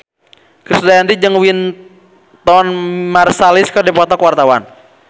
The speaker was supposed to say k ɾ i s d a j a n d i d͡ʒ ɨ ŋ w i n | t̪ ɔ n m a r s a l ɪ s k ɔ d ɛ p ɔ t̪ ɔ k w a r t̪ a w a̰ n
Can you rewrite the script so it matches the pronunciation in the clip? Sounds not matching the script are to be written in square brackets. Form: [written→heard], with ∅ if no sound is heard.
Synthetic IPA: k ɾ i s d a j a n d i d͡ʒ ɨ ŋ w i n | t̪ ɔ n m a r s a l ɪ s k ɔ d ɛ p ɔ t̪ ɔ k w a r t̪ a w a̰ n